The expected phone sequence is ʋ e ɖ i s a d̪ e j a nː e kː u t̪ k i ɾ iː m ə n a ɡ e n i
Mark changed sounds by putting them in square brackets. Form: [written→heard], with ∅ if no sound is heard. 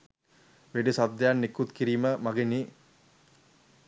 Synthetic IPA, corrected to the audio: ʋ e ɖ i s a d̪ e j a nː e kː u t̪ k i ɾ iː m ə [n→m] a ɡ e n i